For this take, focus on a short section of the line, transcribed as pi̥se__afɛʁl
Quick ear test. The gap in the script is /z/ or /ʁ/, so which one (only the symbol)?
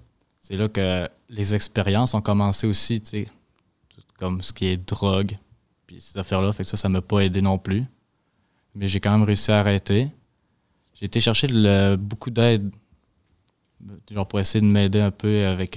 z